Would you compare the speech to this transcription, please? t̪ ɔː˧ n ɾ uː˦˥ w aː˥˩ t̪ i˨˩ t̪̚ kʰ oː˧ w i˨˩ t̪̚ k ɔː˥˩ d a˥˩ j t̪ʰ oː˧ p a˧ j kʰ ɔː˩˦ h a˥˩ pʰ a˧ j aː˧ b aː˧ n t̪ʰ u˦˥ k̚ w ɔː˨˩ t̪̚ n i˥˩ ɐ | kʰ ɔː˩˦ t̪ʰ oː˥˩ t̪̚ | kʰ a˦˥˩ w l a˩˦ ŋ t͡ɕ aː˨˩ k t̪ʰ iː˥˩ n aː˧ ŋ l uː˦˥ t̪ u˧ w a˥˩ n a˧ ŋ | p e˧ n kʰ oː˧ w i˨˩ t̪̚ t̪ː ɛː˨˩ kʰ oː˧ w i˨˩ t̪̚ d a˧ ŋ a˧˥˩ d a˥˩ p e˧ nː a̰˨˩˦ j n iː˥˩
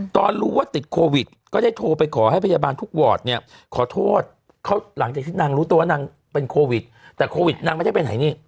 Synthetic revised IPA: t̪ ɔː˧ n ɾ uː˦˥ w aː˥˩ t̪ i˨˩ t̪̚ kʰ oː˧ w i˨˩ t̪̚ k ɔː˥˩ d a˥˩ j t̪ʰ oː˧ p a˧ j kʰ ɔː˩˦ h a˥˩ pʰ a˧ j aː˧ b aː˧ n t̪ʰ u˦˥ k̚ w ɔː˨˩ t̪̚ n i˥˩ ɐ | kʰ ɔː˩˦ t̪ʰ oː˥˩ t̪̚ | kʰ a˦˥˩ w l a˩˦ ŋ t͡ɕ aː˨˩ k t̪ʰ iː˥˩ n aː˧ ŋ ɾ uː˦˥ t̪ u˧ w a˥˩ n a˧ ŋ | p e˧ n kʰ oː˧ w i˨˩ t̪̚ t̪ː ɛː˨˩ kʰ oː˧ w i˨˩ t̪̚ n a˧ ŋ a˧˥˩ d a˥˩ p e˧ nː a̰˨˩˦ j n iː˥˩